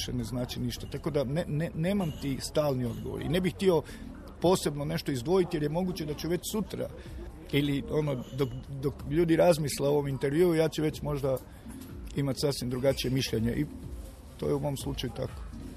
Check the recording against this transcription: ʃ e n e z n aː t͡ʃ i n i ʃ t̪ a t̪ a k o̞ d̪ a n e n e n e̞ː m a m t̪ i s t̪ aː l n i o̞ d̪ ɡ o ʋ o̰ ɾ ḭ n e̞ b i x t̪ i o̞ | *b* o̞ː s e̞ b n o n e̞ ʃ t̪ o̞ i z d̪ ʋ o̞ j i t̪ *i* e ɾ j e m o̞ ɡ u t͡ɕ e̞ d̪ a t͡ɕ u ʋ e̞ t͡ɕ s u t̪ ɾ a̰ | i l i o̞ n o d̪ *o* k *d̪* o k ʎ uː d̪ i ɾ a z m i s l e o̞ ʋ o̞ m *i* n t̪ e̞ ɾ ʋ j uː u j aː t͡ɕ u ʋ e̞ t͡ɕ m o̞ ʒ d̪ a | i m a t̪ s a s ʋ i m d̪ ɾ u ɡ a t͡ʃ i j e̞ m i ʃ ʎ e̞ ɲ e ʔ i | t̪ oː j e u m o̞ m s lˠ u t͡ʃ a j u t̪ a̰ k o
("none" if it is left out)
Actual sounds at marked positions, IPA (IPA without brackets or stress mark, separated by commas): p, j, o, d̪, i